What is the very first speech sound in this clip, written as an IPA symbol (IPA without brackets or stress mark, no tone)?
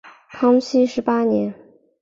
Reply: kʰ